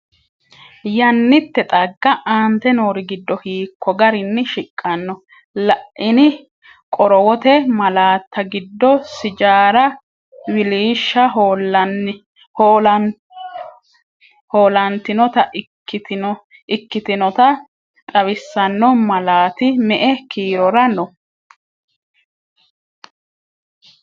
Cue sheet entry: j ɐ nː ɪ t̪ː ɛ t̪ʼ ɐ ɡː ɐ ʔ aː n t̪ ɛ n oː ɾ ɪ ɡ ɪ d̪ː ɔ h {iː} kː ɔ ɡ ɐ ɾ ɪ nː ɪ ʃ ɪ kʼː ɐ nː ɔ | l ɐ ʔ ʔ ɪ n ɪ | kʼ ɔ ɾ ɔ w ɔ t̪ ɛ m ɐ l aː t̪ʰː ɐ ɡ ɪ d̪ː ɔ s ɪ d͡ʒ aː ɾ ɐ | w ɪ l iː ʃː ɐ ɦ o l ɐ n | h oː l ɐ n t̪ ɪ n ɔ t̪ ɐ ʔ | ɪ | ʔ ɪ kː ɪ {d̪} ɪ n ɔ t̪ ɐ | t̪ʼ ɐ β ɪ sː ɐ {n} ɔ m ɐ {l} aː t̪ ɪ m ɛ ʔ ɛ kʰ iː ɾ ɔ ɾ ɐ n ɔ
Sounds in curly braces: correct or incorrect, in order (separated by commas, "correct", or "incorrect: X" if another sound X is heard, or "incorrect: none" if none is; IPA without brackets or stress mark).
correct, incorrect: t̪, incorrect: nː, correct